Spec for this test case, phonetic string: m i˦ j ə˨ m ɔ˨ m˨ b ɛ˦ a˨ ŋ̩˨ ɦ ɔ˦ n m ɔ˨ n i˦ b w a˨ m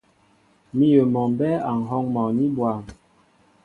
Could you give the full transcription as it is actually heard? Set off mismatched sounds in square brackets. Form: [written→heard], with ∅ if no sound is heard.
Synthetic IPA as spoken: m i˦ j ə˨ m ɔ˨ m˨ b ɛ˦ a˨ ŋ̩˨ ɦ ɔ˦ [n→ŋ] m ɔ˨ n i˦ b w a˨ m